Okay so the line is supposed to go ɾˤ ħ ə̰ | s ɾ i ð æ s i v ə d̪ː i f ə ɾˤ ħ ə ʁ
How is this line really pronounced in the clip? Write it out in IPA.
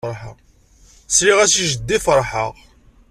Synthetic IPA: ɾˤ ħ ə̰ | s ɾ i ʁ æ s i ʒ ə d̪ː i f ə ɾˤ ħ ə ʁ